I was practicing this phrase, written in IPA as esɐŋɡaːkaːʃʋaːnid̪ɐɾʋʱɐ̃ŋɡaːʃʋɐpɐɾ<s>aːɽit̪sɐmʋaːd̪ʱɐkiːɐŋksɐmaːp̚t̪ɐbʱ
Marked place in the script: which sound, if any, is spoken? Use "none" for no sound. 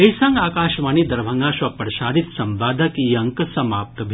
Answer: ʃ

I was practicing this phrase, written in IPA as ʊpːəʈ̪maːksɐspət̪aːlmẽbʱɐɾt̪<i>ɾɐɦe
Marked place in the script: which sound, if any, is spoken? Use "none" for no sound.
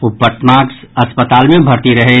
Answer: i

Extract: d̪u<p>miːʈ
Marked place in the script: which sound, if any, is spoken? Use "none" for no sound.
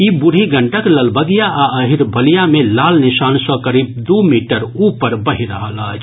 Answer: none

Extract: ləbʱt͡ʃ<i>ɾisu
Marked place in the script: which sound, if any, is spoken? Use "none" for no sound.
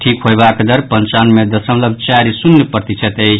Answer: a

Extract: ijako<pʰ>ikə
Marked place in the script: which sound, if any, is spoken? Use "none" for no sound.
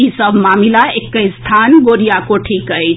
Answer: ʈʰ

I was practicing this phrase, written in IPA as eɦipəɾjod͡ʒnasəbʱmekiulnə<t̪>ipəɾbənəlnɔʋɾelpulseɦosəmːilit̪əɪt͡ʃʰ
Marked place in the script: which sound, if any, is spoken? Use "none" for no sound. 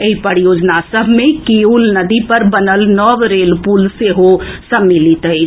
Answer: d̪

